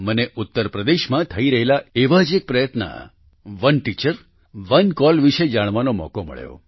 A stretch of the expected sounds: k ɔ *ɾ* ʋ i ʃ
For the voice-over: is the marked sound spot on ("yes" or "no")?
no